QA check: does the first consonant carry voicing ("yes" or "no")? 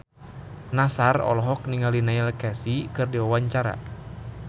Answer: yes